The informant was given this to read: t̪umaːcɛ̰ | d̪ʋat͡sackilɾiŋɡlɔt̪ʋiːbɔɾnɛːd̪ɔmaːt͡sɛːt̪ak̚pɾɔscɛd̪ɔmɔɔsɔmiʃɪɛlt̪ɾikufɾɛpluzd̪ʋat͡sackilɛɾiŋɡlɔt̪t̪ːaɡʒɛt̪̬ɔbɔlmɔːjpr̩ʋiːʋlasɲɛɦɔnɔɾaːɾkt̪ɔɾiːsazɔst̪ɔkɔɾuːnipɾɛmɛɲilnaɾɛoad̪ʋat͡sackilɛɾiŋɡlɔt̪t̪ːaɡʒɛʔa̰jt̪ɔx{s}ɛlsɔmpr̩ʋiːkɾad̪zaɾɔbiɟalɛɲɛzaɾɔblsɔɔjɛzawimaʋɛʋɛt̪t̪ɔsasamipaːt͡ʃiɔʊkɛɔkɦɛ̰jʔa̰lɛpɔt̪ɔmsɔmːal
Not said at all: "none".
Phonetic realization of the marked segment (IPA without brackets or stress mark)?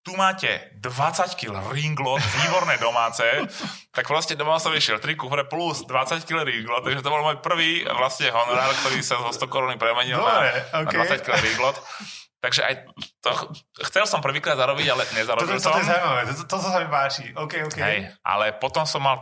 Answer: t͡s